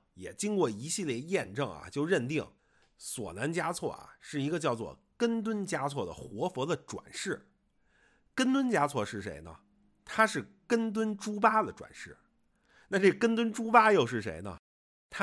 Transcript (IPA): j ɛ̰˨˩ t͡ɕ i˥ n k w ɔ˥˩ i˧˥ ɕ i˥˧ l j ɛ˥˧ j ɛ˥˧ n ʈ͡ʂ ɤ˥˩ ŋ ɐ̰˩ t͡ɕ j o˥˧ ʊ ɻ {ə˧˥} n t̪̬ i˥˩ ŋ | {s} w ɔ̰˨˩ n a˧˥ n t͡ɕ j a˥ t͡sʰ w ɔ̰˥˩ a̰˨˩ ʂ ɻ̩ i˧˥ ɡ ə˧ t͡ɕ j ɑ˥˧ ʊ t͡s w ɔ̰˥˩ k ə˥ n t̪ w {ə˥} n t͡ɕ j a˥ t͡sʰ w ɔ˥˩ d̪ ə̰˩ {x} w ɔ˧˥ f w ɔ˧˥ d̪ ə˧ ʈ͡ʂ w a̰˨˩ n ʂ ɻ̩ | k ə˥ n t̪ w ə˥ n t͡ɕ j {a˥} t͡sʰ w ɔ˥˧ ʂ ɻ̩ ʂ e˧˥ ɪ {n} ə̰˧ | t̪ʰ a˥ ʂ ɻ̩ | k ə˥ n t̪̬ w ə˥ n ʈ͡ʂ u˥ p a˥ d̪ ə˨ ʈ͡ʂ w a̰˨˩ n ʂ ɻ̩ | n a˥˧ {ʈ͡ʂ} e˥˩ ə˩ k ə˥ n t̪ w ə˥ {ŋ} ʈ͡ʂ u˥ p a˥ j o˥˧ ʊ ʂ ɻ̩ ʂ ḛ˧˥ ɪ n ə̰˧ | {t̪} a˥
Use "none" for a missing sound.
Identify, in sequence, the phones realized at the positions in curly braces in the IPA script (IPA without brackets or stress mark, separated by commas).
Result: ə˥˧, s, ə˥, x, a˥, n, ʈ͡ʂ, n, t̪ʰ